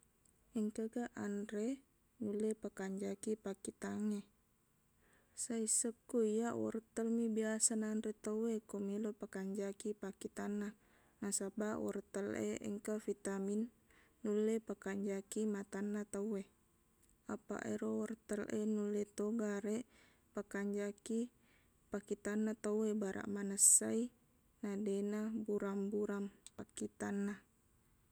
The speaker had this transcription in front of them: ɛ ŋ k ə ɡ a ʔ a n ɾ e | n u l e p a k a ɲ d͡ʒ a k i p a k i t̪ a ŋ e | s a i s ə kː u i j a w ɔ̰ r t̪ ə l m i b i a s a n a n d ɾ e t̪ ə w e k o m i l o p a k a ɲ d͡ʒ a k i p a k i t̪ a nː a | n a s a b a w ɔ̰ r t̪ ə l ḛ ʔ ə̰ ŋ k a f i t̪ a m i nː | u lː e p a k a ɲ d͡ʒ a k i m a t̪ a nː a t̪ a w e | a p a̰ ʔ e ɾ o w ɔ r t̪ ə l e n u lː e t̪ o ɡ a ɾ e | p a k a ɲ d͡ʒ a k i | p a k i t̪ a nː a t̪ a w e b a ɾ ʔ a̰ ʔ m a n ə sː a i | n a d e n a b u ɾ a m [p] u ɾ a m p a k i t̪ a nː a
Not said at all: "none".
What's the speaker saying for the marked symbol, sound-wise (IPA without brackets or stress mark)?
b